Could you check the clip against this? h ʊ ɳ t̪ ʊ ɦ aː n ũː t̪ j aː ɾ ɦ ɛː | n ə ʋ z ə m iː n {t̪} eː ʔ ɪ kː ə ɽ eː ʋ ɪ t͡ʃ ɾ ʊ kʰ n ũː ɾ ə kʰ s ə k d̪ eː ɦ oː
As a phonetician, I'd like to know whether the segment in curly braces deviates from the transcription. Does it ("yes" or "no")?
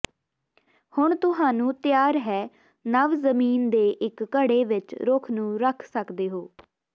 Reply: yes